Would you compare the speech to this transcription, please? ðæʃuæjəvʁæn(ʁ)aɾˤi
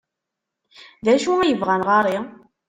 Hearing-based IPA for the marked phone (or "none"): ʁ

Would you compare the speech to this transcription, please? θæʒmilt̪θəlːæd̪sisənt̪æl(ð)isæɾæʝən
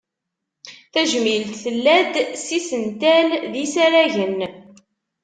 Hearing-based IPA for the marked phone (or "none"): ð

